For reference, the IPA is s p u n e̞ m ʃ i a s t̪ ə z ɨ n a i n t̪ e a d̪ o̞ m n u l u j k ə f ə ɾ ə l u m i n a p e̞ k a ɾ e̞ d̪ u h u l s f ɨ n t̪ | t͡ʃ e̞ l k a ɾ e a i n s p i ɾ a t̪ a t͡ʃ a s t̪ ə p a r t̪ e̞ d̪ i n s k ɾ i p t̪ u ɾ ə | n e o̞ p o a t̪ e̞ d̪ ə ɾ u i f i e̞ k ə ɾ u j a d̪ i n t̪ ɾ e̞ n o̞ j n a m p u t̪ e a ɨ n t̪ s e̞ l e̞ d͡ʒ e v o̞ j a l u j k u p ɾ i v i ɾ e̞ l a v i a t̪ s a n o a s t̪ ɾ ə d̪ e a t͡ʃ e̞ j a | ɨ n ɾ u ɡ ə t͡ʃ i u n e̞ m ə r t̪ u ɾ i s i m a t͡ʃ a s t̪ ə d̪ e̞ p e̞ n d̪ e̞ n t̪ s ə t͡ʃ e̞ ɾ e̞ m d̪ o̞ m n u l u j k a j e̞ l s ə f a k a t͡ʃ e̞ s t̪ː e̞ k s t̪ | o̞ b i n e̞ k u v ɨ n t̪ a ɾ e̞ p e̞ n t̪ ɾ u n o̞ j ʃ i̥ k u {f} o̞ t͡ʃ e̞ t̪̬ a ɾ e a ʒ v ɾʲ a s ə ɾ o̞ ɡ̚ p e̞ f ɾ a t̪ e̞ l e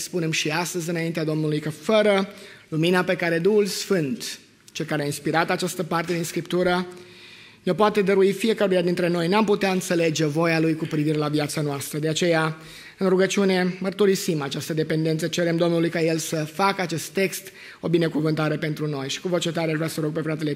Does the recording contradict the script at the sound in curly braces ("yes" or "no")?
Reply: yes